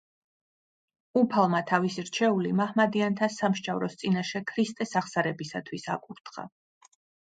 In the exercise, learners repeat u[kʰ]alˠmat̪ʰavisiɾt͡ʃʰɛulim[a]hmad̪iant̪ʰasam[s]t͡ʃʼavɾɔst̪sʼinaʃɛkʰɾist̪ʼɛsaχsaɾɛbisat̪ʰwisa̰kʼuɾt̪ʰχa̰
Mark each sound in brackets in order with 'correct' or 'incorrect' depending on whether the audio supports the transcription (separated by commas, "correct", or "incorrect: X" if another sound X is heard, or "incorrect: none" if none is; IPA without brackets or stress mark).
incorrect: pʰ, correct, incorrect: ʃ